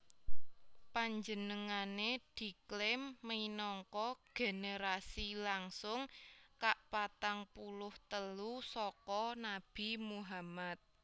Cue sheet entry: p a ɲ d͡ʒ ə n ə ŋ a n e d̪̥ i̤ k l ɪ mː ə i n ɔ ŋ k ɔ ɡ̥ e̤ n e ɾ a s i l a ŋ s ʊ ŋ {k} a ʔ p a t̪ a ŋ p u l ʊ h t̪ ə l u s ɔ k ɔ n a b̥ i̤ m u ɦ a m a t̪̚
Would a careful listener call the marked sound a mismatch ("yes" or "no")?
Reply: no